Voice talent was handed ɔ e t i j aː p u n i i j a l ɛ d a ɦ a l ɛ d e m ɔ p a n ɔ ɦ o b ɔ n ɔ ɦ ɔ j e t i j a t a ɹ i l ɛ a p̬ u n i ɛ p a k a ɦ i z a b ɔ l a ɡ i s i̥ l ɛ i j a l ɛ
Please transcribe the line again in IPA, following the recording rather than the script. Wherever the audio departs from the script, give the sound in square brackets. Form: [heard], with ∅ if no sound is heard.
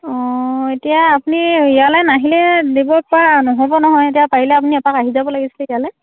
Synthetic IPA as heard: ɔ e t i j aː p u n i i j a l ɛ [n] a ɦ [i] l ɛ d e [b] ɔ p a n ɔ ɦ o b ɔ n ɔ ɦ ɔ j e t i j a [p] a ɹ i l ɛ a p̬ u n i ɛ p a k a ɦ i z a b ɔ l a ɡ i s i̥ l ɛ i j a l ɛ